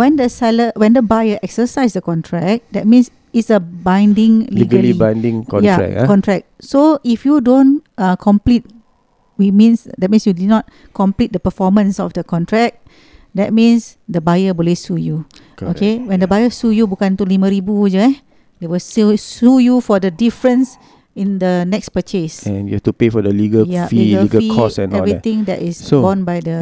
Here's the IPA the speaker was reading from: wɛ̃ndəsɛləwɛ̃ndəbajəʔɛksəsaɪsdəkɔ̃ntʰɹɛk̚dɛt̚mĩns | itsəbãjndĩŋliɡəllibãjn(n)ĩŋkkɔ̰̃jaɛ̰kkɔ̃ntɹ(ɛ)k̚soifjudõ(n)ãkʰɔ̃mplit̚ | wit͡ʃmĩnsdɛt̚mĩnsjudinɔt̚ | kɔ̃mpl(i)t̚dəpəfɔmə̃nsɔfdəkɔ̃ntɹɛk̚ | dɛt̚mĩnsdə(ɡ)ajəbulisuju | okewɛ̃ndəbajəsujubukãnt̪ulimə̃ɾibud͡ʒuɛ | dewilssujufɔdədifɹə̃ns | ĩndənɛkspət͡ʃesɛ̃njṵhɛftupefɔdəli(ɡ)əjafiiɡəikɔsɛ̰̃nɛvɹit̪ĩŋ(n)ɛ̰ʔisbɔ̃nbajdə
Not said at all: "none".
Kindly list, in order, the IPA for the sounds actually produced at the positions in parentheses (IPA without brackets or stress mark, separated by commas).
d, ɛ, n, i, b, ɡ, d